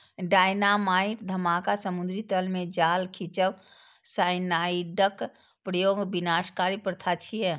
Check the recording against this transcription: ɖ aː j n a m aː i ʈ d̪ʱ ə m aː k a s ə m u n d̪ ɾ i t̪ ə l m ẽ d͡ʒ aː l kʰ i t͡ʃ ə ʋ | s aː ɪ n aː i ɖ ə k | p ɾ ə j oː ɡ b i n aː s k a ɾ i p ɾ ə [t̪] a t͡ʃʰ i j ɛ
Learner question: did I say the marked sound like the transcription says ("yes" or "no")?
no